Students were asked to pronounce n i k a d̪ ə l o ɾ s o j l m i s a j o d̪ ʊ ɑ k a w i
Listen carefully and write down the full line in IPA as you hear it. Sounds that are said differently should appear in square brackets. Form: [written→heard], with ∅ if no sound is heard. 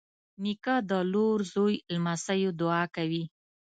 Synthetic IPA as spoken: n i k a d̪ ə l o ɾ [s→z] o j l m [i→a] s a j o d̪ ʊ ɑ k a w i